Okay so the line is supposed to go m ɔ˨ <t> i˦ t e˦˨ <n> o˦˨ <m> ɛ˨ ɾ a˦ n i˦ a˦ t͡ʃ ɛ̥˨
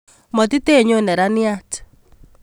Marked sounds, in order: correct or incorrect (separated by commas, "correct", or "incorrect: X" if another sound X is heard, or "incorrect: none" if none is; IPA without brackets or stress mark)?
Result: correct, incorrect: ɲ, incorrect: n